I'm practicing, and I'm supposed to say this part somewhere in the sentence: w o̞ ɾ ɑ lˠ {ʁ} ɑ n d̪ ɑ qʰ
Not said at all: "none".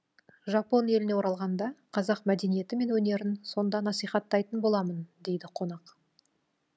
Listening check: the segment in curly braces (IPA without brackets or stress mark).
ʁ